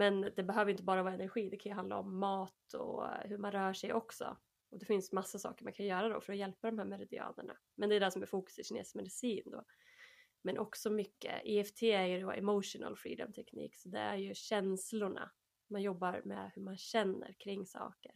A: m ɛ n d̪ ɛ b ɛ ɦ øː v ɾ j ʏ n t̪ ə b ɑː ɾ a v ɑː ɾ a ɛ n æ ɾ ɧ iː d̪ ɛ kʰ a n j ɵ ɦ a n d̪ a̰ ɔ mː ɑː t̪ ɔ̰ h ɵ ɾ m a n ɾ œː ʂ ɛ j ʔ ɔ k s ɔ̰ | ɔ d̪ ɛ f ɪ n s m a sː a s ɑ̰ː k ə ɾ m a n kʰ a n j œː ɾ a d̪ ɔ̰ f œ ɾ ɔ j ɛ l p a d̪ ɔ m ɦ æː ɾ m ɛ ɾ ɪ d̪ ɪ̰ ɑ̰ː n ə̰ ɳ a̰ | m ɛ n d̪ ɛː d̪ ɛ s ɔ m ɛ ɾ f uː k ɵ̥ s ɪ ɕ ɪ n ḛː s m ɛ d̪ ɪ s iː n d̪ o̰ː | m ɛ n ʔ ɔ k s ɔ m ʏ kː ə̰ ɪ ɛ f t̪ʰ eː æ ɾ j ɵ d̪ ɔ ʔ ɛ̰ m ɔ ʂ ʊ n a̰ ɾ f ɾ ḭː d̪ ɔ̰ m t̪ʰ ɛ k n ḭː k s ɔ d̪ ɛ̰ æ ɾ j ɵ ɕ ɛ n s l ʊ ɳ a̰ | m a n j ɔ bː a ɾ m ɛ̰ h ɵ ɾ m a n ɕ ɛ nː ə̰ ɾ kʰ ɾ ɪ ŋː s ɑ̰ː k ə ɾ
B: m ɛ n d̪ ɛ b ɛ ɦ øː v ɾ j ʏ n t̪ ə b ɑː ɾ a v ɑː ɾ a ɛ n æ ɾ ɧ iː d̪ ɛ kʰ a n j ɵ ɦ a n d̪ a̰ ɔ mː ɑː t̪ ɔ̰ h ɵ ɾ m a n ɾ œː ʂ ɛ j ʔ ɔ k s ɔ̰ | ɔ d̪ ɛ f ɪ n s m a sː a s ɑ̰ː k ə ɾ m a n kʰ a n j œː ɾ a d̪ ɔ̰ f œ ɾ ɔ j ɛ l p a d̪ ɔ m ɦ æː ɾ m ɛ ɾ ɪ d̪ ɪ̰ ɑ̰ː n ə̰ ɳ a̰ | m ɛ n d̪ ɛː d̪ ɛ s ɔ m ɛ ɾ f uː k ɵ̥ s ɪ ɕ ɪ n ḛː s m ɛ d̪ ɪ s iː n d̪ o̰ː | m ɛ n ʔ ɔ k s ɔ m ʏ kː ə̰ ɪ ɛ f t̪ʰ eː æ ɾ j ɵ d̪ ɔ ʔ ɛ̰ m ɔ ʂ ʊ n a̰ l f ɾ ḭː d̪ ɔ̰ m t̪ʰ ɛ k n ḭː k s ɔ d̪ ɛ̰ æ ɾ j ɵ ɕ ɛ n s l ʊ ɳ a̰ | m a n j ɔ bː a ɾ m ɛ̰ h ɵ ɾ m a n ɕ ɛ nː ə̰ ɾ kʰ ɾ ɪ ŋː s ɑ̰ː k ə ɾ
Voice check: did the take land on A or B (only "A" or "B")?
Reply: B